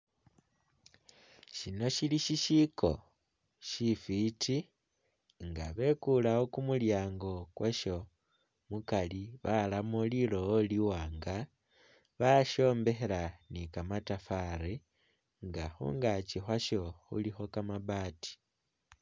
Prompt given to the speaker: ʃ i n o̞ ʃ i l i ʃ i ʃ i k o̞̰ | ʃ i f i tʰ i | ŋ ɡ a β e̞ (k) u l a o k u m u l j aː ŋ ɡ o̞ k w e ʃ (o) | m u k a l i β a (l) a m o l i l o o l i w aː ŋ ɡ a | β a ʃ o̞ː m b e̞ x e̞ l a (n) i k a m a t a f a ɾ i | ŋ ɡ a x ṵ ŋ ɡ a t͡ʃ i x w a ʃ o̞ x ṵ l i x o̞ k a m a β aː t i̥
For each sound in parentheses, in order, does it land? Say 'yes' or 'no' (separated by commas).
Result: yes, yes, yes, yes